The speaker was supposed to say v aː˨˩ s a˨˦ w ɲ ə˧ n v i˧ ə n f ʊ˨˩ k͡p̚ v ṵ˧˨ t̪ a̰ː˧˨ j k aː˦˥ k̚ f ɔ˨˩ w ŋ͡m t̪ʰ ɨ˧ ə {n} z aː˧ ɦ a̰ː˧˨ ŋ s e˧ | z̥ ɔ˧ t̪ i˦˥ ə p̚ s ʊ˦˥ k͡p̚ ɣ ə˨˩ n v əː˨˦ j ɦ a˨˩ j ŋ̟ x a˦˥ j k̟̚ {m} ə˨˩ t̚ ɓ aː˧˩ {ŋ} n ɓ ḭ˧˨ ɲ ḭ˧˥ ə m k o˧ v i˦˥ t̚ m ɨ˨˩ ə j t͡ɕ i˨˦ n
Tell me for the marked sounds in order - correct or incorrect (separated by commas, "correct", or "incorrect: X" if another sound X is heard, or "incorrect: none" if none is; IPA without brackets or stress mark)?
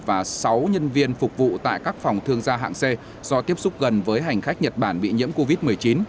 incorrect: ŋ, incorrect: ɲ, incorrect: none